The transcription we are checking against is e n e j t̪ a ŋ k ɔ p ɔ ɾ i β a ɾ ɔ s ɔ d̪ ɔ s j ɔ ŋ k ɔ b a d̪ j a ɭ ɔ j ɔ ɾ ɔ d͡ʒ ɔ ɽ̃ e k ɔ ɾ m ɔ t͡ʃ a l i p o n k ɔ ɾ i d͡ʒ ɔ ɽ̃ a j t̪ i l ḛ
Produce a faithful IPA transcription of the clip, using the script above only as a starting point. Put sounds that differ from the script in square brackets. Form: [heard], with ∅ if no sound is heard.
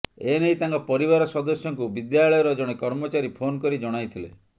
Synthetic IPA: e n e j t̪ a ŋ k ɔ p ɔ ɾ i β a ɾ ɔ s ɔ d̪ ɔ s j ɔ ŋ k [u] b [i] d̪ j a ɭ ɔ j ɔ ɾ ɔ d͡ʒ ɔ ɽ̃ e k ɔ ɾ m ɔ t͡ʃ a [ɾ] i [pʰ] o n k ɔ ɾ i d͡ʒ ɔ ɽ̃ a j [t̪ʰ] i l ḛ